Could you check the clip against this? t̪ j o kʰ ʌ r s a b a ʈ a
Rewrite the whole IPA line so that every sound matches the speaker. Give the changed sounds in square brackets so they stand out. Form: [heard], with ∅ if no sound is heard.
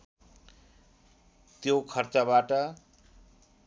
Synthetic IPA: t̪ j o kʰ ʌ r [t͡s] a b a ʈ [ʌ]

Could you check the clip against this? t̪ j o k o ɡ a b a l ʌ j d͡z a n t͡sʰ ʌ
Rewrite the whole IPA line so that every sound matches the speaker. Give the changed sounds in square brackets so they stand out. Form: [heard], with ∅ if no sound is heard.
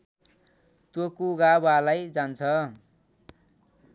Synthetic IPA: t̪ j o k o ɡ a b a l [a] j d͡z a n t͡sʰ ʌ

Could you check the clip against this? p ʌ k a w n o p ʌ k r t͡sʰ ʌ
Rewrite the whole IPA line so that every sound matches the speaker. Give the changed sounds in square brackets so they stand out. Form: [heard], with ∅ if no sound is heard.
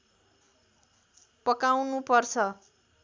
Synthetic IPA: p ʌ k a w n [u] p ʌ [∅] r t͡sʰ ʌ

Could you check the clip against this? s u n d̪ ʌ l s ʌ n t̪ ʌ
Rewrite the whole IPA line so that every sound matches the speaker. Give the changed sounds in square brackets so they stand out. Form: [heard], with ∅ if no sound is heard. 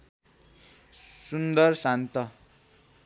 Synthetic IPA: s u n d̪ ʌ [r] s [a] n t̪ ʌ

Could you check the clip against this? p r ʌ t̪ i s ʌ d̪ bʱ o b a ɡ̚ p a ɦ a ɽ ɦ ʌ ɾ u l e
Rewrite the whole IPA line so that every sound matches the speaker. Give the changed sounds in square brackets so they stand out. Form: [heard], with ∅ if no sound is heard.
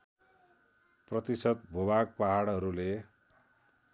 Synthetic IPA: p r ʌ t̪ i s ʌ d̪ bʱ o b a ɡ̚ p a ɦ a ɽ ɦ ʌ ɾ u l e

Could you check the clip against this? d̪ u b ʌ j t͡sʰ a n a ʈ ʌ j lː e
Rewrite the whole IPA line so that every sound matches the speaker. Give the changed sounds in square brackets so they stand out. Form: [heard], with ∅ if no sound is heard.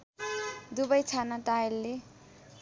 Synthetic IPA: d̪ u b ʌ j t͡sʰ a n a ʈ [a] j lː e

